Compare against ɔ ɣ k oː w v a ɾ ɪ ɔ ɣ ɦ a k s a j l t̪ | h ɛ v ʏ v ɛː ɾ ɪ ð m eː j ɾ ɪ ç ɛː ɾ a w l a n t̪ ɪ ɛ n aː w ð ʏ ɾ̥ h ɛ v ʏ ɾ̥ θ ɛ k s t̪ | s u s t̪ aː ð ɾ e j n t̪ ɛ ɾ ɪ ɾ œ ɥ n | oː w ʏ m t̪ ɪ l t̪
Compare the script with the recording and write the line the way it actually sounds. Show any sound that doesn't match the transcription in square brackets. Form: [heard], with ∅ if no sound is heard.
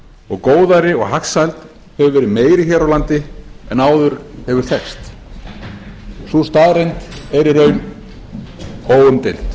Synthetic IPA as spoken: ɔ ɣ k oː w [ð] a ɾ ɪ ɔ ɣ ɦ a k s a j l t̪ | h ɛ v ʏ v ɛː ɾ ɪ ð m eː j ɾ ɪ ç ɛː ɾ a w l a n t̪ ɪ ɛ n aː w ð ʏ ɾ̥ h ɛ v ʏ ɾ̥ θ ɛ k s t̪ | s u s t̪ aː ð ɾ e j n t̪ ɛ ɾ ɪ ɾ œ ɥ n | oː w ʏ m t̪ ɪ l t̪